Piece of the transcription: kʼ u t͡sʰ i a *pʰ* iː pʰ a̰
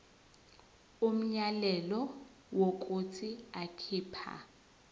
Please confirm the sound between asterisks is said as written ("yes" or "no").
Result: no